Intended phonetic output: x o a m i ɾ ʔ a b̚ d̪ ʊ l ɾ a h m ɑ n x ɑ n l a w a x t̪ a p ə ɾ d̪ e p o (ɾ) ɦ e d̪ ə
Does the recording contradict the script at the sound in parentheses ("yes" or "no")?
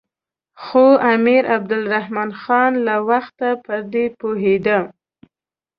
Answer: yes